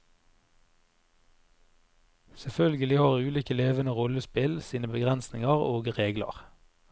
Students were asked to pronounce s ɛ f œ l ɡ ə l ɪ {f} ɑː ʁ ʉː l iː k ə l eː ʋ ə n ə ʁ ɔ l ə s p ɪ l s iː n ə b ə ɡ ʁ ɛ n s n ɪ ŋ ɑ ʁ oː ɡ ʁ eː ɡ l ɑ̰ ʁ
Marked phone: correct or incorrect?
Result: incorrect